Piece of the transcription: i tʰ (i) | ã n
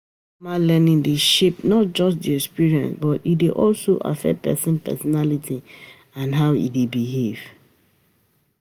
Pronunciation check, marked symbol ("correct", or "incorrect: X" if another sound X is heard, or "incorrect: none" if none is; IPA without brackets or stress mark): correct